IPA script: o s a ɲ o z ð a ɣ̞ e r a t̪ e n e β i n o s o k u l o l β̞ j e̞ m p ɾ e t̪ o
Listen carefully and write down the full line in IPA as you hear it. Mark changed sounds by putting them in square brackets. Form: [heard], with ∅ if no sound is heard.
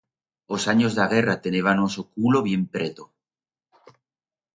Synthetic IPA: o s a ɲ o z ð a ɣ̞ e r a t̪ e n e β [a] n o s o k u l o [∅] β̞ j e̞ m p ɾ e t̪ o

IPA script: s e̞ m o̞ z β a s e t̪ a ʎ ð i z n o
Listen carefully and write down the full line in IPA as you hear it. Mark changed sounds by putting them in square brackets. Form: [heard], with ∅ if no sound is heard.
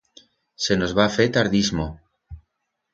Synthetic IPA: s e̞ [n] o̞ z β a [f] e t̪ a [ɾ] ð i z [m] o

